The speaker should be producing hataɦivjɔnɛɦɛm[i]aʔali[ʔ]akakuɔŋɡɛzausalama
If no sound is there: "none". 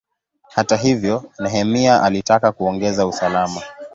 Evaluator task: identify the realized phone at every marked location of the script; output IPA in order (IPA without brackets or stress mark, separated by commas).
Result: i, t